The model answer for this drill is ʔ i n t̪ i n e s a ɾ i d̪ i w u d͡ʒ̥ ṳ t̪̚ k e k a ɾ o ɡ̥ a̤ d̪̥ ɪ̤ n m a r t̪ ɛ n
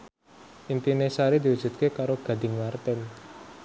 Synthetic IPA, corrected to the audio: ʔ i n t̪ i n e s a ɾ i d̪ i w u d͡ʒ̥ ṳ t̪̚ k e k a ɾ o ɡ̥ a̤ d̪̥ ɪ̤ ŋ m a r t̪ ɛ n